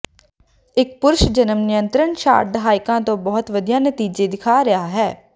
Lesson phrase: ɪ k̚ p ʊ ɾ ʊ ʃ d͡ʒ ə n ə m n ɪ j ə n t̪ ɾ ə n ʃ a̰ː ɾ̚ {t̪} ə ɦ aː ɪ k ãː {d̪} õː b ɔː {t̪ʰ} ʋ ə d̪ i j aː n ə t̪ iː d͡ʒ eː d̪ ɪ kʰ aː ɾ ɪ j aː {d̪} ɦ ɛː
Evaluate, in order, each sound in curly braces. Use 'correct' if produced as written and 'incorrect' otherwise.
incorrect: d̪, incorrect: t̪, incorrect: t̪, incorrect: none

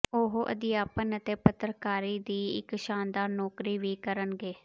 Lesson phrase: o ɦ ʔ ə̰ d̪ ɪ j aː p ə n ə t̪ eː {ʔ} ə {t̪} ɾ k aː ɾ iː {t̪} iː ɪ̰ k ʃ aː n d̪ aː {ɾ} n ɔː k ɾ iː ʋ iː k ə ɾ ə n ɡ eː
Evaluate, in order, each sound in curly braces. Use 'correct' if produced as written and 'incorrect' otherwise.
incorrect: p, correct, incorrect: d̪, correct

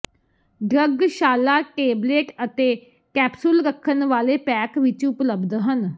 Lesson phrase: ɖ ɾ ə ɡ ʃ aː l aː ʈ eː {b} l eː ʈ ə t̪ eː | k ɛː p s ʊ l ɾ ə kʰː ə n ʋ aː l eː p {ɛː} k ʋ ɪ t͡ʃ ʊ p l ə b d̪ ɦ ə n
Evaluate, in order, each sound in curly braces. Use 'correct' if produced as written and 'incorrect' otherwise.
correct, correct

